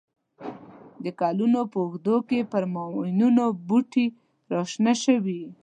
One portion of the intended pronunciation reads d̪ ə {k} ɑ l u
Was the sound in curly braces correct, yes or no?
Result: yes